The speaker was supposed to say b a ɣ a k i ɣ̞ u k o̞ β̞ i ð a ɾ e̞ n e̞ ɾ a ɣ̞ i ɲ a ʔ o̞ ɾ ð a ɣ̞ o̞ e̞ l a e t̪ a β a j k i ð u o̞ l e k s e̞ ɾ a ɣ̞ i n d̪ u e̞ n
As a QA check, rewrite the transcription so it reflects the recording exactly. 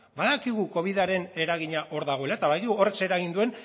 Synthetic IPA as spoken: b a ð a k i ɣ̞ u k o̞ β̞ i ð a ɾ e̞ n e̞ ɾ a ɣ̞ i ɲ a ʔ o̞ ɾ ð a ɣ̞ o̞ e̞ l a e t̪ a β a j k i ɣ u o̞ r e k s e̞ ɾ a ɣ̞ i n d̪ u e̞ n